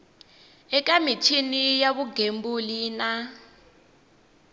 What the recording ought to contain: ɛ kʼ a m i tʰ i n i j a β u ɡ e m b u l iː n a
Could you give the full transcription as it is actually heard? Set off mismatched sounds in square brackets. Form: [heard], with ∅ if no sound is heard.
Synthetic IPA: ɛ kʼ a m i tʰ i n i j a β u ɡ e m b u l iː n a